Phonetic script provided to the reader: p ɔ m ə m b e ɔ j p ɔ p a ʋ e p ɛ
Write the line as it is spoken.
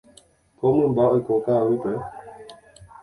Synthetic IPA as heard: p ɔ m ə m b a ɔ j k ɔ k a w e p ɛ